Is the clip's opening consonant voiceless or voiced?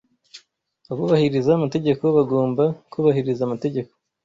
voiced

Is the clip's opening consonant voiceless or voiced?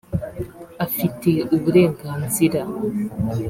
voiceless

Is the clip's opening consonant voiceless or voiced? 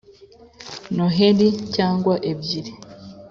voiced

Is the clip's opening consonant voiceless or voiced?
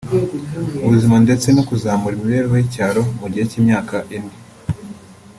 voiced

